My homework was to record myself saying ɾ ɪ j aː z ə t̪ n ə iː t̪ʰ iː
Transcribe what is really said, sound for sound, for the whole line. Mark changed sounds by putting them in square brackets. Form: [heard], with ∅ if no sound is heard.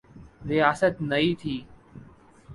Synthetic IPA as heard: ɾ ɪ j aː [s] ə t̪ n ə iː t̪ʰ iː